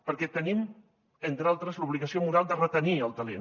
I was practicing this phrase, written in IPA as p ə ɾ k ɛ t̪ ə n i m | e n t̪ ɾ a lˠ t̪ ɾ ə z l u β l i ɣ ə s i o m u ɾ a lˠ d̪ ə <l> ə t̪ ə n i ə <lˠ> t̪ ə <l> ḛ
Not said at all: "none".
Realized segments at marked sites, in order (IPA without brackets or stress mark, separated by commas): r, lˠ, l